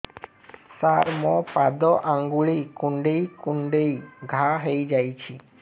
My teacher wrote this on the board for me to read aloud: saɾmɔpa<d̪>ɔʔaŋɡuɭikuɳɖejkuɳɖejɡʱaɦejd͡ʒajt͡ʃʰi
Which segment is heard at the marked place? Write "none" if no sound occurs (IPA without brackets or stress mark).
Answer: d̪